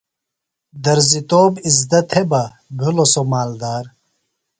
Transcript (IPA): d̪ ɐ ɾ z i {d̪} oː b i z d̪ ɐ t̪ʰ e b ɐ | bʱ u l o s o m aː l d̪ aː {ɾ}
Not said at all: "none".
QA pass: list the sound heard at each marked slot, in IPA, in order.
t̪, ɾ

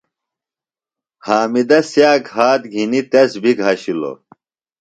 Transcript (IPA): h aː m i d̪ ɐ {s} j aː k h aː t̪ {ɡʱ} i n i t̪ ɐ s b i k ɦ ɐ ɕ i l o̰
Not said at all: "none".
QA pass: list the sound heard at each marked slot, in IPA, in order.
s, ɡʱ

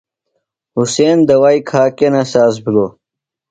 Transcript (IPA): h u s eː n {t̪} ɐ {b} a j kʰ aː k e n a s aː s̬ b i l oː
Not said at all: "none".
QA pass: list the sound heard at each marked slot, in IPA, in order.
d̪, w

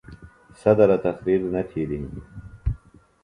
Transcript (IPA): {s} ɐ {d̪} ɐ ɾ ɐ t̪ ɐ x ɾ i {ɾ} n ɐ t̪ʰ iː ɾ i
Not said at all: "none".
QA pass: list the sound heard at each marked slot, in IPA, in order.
s, d̪, ɾ

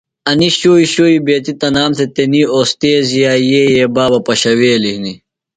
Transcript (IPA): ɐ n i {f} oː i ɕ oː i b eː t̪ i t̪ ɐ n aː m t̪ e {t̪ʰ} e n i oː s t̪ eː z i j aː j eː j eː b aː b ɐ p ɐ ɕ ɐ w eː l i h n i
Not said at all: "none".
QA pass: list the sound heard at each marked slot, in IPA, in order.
ɕ, t̪

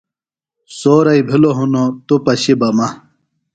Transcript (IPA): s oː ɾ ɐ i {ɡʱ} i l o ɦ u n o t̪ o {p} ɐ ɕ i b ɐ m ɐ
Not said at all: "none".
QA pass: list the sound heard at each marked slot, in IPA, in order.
bʱ, p

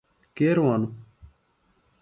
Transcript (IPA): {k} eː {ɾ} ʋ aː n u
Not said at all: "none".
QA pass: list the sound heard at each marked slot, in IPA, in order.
k, ɾ

